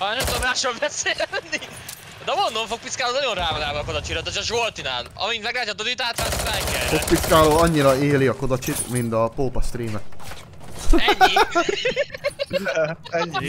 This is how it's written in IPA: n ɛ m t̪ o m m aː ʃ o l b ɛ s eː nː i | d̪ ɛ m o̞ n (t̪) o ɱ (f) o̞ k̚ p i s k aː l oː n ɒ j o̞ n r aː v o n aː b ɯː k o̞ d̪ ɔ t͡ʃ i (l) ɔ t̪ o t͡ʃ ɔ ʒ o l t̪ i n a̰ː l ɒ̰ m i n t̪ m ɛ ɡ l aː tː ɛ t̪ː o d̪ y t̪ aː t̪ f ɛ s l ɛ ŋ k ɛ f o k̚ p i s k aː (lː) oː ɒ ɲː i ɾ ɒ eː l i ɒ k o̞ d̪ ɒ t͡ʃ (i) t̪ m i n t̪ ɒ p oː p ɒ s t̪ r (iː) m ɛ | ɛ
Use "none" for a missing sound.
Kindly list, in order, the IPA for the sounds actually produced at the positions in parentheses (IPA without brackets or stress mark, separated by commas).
d̪, f, ɾ, l, i, iː